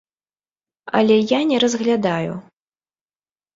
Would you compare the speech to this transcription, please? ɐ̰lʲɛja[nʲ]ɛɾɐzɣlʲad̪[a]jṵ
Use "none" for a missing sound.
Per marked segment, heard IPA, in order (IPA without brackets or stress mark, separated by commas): nʲ, a